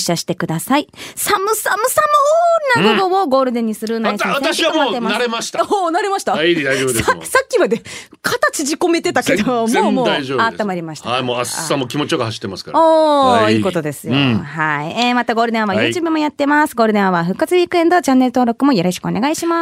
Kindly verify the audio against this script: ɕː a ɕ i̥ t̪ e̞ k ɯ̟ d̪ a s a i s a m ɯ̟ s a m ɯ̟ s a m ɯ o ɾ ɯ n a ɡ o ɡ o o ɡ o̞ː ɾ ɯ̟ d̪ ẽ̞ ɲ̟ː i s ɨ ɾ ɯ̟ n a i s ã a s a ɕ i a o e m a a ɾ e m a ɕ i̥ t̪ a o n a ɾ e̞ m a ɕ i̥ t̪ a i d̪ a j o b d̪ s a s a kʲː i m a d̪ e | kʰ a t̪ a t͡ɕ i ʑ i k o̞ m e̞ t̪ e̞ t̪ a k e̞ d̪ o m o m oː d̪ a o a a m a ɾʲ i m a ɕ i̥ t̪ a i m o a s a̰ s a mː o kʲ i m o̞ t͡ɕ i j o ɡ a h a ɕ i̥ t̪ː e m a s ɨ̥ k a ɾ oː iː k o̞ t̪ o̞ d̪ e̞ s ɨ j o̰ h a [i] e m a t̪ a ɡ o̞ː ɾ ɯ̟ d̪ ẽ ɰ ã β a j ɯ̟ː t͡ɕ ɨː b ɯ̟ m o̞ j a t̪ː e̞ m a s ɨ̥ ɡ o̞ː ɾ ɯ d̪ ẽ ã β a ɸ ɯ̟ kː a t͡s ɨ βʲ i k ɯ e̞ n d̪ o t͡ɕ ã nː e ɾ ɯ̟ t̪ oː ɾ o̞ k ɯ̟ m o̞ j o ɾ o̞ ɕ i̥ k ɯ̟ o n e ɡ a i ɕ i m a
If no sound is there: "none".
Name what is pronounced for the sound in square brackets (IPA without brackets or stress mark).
i